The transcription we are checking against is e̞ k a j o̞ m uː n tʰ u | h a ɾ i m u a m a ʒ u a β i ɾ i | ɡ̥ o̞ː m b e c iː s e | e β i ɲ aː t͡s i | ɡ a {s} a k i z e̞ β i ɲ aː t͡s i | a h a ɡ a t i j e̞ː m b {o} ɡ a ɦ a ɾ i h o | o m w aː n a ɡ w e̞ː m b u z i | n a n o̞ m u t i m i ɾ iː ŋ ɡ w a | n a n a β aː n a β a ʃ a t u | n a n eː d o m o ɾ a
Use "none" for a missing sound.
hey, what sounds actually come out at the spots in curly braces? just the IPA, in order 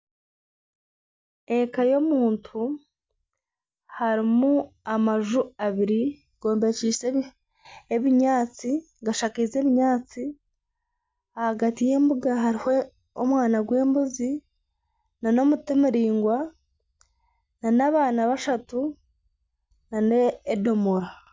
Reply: ʃ, u

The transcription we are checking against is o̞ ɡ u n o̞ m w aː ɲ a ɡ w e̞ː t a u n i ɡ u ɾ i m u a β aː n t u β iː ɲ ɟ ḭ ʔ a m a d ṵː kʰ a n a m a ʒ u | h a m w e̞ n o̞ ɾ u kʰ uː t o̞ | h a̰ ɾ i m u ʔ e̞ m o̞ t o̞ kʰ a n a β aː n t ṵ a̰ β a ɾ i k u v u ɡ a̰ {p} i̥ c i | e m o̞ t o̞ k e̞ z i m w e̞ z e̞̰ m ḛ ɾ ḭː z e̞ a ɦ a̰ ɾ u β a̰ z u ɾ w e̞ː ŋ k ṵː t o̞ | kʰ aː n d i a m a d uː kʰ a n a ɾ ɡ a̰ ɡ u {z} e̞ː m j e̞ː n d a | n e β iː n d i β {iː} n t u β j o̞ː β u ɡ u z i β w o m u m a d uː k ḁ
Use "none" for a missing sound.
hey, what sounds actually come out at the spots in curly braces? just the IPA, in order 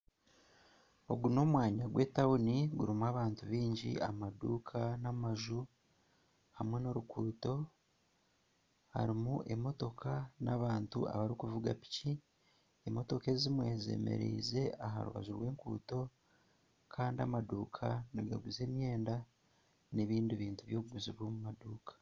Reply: p, z, iː

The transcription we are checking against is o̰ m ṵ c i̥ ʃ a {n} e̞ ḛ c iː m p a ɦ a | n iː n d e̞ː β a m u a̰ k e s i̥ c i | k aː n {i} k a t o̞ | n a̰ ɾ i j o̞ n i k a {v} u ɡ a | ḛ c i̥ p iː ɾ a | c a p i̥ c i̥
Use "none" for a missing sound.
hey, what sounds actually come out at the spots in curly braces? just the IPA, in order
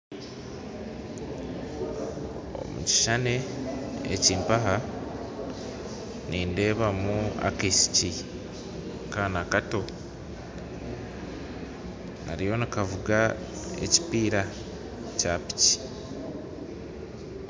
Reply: n, a, v

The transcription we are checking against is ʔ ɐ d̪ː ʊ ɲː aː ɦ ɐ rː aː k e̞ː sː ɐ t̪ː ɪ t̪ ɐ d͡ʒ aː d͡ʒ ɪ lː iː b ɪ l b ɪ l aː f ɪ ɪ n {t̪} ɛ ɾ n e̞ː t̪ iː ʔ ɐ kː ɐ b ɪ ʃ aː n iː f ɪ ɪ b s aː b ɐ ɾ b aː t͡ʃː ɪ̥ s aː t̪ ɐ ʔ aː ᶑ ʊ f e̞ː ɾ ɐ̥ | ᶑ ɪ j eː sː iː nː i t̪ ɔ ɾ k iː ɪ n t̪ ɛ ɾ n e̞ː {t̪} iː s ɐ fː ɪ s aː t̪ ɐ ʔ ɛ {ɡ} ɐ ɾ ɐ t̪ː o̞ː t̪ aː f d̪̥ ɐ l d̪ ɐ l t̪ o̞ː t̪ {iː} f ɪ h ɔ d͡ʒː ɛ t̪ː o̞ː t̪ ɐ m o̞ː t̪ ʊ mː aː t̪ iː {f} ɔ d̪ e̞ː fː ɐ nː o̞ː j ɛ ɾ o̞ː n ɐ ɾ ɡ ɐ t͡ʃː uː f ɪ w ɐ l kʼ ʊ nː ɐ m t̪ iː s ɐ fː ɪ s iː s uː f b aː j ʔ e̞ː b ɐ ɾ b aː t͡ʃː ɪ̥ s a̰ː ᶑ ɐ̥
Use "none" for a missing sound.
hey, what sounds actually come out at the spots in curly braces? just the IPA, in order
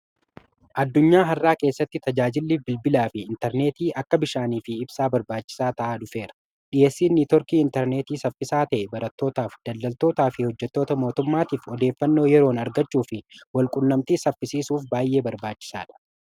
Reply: t̪, t̪, b, aː, f

